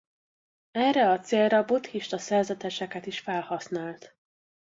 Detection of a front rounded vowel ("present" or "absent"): absent